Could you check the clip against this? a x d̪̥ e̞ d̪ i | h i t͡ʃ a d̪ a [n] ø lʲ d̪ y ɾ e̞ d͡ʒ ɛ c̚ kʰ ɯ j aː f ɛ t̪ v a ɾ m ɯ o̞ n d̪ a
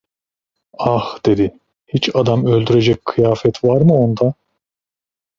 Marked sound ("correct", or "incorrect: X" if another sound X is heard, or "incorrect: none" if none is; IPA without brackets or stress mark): incorrect: m